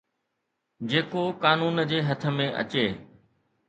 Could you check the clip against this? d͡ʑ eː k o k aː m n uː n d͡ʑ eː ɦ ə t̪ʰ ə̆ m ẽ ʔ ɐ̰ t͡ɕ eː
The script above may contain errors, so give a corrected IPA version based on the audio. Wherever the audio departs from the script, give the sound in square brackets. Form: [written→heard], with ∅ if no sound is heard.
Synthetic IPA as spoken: d͡ʑ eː k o k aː [m→∅] n uː n d͡ʑ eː ɦ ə t̪ʰ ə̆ m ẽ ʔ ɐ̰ t͡ɕ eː